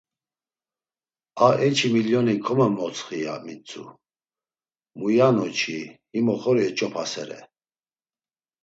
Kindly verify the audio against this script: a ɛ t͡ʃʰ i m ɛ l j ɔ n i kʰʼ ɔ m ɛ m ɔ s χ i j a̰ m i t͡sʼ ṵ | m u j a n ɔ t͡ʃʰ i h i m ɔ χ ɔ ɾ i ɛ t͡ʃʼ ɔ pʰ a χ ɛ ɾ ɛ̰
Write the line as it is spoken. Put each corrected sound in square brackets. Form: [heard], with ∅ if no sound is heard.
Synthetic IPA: a ɛ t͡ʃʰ i m [i] l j ɔ n i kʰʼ ɔ m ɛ m ɔ [t͡s] χ i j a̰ m i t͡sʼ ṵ | m u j a n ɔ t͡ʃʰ i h i m ɔ χ ɔ ɾ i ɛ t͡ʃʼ ɔ pʰ a [s] ɛ ɾ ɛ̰